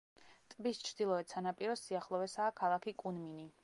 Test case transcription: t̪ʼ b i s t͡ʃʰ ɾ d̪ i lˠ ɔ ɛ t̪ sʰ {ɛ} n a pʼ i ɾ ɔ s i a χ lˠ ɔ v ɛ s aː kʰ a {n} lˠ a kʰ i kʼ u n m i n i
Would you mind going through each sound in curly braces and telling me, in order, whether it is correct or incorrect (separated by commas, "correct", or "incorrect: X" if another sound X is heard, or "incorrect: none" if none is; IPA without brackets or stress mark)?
incorrect: a, incorrect: none